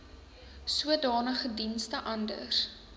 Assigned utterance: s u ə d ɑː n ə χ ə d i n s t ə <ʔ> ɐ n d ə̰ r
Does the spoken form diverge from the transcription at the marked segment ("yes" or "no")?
no